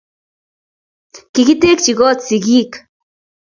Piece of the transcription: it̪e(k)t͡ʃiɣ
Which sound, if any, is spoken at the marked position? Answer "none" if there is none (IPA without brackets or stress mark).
k